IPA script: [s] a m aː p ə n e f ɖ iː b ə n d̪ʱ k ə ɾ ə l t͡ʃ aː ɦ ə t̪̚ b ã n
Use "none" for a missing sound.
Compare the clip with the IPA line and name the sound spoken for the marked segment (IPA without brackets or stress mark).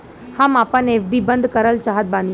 h